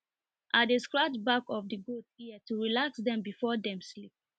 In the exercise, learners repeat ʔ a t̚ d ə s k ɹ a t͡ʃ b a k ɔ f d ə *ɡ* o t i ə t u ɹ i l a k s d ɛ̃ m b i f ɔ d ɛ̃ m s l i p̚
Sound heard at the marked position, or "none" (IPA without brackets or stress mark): ɡ